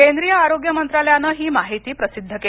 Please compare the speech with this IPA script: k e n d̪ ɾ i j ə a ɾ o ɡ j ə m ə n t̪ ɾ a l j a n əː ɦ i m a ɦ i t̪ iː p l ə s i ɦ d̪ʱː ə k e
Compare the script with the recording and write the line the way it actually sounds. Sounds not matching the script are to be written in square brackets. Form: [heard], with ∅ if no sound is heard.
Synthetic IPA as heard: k e n d̪ ɾ i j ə a ɾ o ɡ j ə m ə n t̪ ɾ a l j a n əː ɦ [iː] m a ɦ i t̪ iː p [ɾ] ə s i [∅] d̪ʱː ə k e